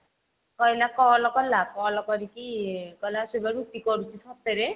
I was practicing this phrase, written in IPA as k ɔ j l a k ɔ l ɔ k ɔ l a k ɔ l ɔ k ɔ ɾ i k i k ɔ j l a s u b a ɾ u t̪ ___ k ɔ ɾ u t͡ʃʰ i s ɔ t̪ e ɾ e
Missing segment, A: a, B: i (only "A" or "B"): B